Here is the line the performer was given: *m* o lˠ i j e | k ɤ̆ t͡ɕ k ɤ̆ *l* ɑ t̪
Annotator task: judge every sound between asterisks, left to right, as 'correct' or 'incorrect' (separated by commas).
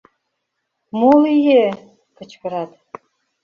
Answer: correct, incorrect